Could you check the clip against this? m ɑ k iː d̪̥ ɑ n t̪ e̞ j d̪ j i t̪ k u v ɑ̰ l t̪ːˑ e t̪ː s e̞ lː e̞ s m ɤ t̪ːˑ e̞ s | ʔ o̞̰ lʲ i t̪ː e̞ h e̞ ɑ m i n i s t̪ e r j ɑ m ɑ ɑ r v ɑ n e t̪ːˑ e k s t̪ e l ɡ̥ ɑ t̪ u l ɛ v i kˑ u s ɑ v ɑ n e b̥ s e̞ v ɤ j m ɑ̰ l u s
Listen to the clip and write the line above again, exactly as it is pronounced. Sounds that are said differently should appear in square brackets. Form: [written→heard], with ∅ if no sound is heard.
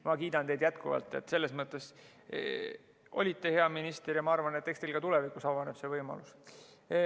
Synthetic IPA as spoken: m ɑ k iː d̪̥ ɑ n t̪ e̞ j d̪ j [i→æ] t̪ k u v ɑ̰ l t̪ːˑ e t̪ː s e̞ lː e̞ s m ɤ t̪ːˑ e̞ s | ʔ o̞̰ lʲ i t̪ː e̞ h e̞ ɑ m i n i s t̪ e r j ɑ m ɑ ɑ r v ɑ n e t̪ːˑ e k s t̪ e l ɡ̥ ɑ t̪ u l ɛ v i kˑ u s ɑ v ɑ n e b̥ s e̞ v ɤ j m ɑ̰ l u s